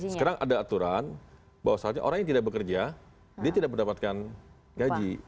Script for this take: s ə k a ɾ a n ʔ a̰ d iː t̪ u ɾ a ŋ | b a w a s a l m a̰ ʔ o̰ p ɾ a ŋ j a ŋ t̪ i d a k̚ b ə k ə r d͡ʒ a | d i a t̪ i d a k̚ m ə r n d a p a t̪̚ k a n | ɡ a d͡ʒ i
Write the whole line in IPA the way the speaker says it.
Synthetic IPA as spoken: s ə k a ɾ a ŋ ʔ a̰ d aː t̪ u ɾ a n | b a w a s a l ɲ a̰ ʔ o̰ ɾ a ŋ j a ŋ t̪ i d a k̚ b ə k ə r d͡ʒ a | d i a t̪ i d a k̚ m ə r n d a p a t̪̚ k a n | ɡ a d͡ʒ i